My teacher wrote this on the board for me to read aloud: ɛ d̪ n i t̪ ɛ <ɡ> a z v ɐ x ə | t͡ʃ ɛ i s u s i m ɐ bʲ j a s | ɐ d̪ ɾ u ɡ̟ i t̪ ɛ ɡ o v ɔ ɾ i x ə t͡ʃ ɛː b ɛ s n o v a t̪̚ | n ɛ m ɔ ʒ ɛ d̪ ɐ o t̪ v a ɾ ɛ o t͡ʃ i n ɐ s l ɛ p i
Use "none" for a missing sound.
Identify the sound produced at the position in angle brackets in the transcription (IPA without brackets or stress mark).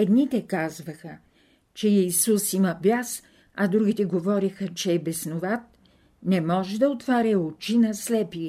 k